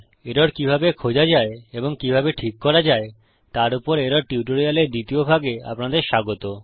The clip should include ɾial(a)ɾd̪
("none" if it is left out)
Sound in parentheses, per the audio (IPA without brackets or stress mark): e